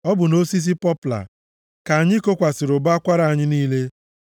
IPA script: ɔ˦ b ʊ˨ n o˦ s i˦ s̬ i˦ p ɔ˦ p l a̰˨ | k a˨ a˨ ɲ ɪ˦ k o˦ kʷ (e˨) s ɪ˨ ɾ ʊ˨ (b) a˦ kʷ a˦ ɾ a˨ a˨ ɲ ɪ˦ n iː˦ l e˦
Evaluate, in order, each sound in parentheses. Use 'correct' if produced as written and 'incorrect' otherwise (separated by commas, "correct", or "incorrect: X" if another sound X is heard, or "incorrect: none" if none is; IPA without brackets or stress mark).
incorrect: a˨, correct